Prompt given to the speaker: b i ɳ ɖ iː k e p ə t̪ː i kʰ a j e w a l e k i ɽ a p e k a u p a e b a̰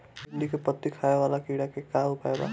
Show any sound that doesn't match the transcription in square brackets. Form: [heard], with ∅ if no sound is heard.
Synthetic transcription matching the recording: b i ɳ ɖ [i] k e p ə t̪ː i kʰ a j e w a l [a] k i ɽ a [k] e k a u p a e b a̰